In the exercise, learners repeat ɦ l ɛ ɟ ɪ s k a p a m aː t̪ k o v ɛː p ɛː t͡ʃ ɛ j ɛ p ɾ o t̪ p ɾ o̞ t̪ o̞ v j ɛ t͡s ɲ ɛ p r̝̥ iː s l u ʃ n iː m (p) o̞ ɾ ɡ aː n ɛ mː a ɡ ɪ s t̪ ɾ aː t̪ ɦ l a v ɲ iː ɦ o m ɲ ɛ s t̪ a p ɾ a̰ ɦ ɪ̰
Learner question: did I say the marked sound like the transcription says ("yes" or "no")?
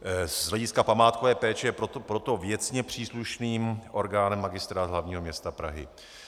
no